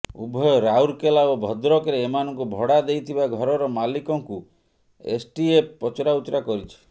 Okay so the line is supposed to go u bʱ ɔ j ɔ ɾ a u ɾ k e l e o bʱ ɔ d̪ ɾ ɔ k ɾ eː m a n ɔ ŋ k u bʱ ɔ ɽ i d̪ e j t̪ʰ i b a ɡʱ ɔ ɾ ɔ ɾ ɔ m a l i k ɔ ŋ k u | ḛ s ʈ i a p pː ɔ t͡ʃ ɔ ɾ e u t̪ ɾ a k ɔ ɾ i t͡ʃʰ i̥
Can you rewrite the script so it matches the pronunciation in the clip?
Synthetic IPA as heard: u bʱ ɔ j ɔ ɾ a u ɾ k e l a o bʱ ɔ d̪ ɾ ɔ k ɾ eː m a n ɔ ŋ k u bʱ ɔ ɽ a d̪ e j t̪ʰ i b a ɡʱ ɔ ɾ ɔ ɾ ɔ m a l i k ɔ ŋ k u | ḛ s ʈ i e p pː ɔ t͡ʃ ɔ ɾ a u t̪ ɾ a k ɔ ɾ i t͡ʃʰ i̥